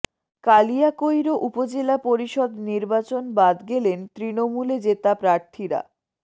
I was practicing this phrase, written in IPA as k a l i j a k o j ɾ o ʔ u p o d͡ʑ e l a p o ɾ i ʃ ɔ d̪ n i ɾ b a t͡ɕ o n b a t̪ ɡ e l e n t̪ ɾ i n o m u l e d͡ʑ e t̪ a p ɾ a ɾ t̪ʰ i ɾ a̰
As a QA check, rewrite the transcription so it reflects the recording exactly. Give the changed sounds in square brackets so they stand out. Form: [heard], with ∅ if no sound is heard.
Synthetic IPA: k a l i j a k o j ɾ o ʔ u p o d͡ʑ e l a p o ɾ i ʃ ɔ d̪ n i ɾ b a t͡ɕ o n b a [d̪] ɡ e l e n t̪ ɾ i n o m u l e d͡ʑ e t̪ a p ɾ a ɾ t̪ʰ i ɾ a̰